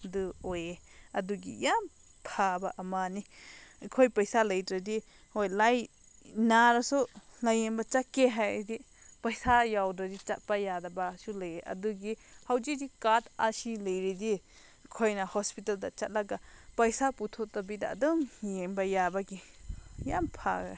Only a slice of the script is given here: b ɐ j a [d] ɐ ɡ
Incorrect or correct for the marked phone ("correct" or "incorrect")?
incorrect